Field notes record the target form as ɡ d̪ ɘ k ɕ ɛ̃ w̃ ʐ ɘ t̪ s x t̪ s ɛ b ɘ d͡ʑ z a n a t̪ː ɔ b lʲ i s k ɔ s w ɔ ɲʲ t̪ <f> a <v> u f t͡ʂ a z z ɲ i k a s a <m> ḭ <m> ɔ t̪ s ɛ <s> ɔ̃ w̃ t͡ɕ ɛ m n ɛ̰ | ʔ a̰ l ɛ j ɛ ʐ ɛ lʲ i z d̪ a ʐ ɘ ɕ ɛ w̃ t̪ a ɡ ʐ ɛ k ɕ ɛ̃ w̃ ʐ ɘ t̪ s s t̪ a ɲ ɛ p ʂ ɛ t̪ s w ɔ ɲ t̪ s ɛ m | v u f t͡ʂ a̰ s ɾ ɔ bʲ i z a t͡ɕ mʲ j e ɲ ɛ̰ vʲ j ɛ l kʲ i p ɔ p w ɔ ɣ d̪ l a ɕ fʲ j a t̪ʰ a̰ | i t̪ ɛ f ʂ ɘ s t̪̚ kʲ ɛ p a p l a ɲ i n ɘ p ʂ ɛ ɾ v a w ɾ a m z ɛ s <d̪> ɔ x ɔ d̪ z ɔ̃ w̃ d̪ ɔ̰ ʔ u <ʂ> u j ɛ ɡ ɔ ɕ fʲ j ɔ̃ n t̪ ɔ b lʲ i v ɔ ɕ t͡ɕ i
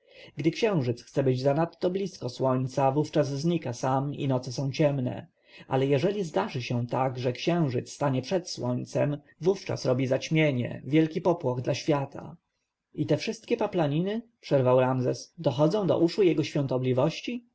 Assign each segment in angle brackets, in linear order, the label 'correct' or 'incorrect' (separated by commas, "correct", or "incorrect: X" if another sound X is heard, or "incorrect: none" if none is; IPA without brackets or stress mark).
incorrect: s, correct, correct, incorrect: n, correct, correct, correct